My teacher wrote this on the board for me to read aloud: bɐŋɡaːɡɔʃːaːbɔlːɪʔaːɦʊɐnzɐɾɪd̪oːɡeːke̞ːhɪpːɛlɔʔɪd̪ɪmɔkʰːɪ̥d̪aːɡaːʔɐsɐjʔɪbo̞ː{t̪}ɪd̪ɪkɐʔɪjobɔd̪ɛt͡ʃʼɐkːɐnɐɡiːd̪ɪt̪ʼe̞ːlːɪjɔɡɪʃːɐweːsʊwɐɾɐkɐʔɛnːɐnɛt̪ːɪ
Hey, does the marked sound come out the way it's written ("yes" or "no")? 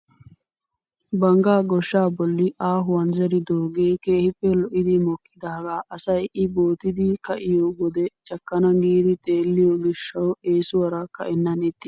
yes